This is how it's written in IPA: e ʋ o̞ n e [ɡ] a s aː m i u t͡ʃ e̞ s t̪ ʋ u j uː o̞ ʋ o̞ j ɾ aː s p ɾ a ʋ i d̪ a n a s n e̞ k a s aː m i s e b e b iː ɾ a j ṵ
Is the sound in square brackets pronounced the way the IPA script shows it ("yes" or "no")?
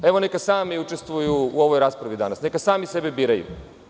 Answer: no